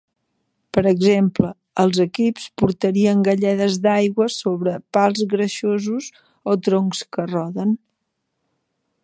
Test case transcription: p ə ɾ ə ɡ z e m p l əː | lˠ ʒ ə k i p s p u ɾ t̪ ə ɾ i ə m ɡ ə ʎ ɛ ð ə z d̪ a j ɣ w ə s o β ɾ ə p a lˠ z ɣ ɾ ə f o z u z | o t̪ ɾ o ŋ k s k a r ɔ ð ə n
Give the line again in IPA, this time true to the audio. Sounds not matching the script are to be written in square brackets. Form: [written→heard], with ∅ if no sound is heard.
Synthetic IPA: p ə ɾ ə ɡ z e m p l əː | lˠ [ʒ→z] ə k i p s p u ɾ t̪ ə ɾ i ə [m→ŋ] ɡ ə ʎ ɛ ð ə z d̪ a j ɣ w ə s o β ɾ ə p a lˠ z ɣ ɾ ə [f→ʃ] o z u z | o t̪ ɾ o ŋ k s k [a→ə] r ɔ ð ə n